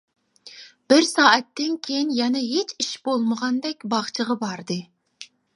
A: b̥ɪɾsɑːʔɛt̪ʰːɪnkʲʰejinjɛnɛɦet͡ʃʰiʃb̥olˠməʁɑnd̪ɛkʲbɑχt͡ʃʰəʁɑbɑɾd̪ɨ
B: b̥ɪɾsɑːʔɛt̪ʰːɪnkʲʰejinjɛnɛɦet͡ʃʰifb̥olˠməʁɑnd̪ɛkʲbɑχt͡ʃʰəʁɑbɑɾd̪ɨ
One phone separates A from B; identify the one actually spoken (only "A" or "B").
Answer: A